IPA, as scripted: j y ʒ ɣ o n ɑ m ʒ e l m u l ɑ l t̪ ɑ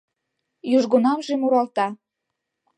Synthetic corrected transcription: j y ʒ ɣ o n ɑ m ʒ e m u ɾ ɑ l t̪ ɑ